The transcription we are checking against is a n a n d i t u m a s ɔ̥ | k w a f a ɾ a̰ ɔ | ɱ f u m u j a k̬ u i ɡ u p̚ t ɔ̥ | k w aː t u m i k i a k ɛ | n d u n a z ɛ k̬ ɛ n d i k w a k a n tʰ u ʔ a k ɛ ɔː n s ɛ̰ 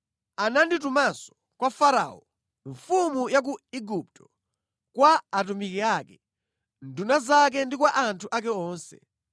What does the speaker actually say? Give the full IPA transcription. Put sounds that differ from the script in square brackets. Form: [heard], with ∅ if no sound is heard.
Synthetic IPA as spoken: a n a n d i t u m a s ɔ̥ | k w a f a ɾ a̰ ɔ | ɱ f u m u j a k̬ u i ɡ u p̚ t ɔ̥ | k w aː t u m i k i a k ɛ | n d u n a z [a] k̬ ɛ n d i k w a [ʔ] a n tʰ u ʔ a k ɛ ɔː n s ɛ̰

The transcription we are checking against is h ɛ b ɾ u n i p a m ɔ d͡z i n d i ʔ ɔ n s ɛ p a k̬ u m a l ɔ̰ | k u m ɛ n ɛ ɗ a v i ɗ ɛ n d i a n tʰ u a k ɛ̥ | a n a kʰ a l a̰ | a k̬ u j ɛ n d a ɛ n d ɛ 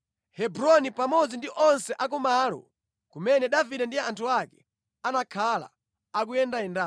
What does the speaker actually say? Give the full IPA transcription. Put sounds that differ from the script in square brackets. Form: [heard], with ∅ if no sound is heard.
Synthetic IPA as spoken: h ɛ b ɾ [ɔ] n i p a m ɔ d͡z i n d i ʔ ɔ n s ɛ [ʔ] a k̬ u m a l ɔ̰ | k u m ɛ n ɛ ɗ a v i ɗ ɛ n d i a n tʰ u a k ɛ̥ | a n a kʰ a l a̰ | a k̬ u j ɛ n d a ɛ n d [a]

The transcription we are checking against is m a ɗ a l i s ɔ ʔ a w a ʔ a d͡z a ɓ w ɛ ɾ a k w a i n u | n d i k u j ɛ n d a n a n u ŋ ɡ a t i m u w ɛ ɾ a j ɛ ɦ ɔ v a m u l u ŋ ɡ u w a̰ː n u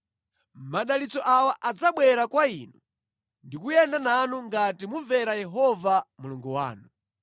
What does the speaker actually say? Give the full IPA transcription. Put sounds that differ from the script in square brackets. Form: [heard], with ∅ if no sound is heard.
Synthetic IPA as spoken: m a ɗ a l i [t͡s] ɔ ʔ a w a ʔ a d͡z a ɓ w ɛ ɾ a k w a i n u | n d i k u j ɛ n d a n a n u ŋ ɡ a t i m u [v] ɛ ɾ a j ɛ ɦ ɔ v a m u l u ŋ ɡ u w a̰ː n u

